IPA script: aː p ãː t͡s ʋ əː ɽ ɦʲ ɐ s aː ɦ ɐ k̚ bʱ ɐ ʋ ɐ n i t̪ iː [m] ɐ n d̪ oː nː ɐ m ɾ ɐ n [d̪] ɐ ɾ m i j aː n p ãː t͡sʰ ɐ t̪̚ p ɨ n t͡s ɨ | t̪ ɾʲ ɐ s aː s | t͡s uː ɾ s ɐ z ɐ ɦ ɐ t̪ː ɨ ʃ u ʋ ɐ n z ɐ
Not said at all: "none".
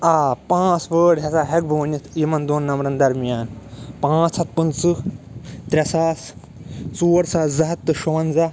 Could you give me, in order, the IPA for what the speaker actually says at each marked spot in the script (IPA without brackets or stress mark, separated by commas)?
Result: m, d̪